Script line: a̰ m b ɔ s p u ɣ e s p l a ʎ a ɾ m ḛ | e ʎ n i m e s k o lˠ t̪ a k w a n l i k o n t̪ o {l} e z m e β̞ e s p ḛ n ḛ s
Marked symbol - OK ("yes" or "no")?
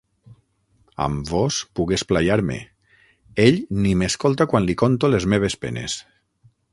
yes